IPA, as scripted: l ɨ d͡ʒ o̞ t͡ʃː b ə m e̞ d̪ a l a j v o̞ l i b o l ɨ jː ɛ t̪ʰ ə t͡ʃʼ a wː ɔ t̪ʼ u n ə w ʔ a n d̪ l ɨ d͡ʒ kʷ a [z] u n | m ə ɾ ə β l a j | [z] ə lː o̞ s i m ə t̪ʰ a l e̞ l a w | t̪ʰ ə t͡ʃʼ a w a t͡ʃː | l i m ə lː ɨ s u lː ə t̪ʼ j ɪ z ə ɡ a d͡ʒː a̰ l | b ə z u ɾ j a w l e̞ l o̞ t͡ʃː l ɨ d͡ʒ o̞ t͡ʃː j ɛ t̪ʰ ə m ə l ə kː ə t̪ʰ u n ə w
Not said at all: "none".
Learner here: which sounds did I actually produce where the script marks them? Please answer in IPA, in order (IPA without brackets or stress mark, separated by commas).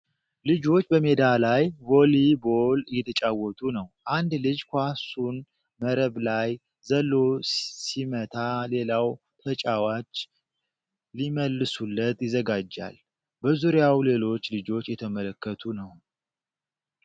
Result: s, z